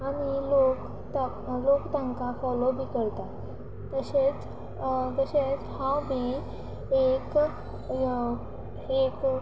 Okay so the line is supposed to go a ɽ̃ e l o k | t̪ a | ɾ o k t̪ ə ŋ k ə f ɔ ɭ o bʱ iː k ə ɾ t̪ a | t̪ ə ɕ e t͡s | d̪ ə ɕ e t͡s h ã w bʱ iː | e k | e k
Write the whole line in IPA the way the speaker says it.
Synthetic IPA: a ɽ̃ i l o k | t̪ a | l o k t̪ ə ŋ k a f ɔ l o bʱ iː k ə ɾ t̪ a | t̪ ə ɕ e t͡s | t̪ ə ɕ e t͡s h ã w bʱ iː | e k | e k